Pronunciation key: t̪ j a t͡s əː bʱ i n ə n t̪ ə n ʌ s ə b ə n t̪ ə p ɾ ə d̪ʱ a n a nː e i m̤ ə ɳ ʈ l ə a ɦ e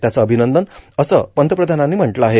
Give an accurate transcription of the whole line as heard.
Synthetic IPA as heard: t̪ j a t͡s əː bʱ i n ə n d̪ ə n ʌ s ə p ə n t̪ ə p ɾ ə d̪ʱ a n a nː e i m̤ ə ɳ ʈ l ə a ɦ e